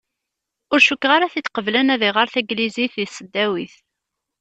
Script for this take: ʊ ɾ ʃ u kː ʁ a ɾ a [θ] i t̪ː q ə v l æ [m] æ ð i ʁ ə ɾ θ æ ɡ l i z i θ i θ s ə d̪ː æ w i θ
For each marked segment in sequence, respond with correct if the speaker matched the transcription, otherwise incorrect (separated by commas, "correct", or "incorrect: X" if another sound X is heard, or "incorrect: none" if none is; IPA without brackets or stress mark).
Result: correct, incorrect: n